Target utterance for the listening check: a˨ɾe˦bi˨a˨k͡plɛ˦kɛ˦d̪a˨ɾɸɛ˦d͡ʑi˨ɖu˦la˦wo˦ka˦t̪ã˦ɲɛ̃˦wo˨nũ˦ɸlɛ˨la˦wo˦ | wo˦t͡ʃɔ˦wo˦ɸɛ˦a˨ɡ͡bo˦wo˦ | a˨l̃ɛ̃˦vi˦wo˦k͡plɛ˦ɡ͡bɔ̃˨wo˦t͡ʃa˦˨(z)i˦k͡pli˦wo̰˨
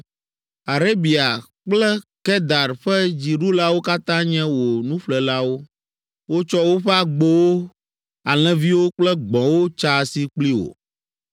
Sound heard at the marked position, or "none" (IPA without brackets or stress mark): s